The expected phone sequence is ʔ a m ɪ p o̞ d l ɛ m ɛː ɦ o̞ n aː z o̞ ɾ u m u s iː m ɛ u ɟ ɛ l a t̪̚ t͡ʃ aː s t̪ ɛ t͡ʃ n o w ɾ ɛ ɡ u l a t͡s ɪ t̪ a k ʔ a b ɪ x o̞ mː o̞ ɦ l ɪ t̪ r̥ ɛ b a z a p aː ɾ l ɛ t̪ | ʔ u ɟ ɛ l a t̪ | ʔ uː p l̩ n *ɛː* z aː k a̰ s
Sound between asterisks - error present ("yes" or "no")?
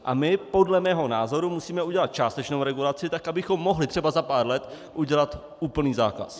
yes